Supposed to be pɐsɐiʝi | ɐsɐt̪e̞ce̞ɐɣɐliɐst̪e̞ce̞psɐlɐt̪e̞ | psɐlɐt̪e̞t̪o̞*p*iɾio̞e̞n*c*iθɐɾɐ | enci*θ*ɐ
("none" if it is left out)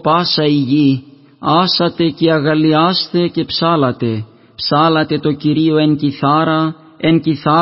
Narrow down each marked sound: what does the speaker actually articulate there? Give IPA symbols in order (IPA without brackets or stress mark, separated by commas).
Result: c, c, θ